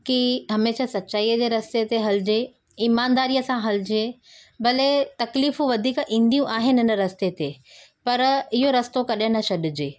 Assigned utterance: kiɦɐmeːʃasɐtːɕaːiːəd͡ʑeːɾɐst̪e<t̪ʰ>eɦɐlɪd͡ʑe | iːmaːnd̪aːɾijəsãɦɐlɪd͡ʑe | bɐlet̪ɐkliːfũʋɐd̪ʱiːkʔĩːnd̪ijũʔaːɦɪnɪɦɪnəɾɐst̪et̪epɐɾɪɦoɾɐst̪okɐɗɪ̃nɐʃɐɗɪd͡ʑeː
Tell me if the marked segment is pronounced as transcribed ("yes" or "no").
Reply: no